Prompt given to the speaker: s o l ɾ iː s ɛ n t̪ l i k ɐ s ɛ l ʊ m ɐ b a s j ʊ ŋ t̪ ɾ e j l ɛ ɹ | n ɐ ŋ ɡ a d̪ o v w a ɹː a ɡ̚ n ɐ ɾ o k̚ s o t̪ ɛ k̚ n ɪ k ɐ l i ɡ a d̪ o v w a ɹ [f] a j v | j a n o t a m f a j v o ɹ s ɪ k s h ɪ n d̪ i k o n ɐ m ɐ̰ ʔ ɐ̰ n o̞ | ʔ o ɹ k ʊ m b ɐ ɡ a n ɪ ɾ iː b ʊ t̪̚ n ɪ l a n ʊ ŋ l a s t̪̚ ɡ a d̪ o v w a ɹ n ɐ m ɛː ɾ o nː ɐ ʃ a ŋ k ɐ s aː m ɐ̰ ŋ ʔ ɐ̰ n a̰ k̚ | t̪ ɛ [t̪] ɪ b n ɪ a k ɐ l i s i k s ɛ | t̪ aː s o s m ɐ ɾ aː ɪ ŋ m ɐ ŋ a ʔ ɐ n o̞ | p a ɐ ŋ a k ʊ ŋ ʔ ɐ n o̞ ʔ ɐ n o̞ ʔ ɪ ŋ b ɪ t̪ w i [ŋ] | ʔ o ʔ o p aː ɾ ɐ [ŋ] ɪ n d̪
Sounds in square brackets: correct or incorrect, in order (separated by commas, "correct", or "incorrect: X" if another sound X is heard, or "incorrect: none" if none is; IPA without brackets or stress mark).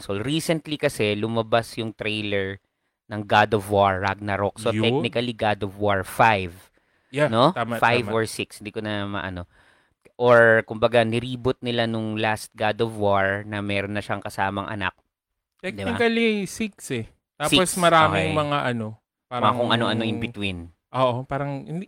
correct, incorrect: d̪, incorrect: n, correct